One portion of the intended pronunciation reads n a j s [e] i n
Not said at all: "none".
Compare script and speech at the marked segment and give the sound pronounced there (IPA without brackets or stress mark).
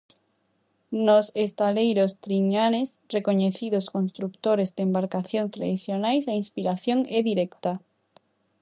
a